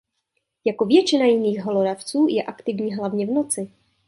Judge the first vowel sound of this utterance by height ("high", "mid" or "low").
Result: low